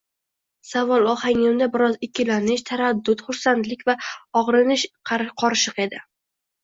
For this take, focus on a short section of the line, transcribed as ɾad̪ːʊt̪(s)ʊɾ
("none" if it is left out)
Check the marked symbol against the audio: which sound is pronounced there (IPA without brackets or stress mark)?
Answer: χ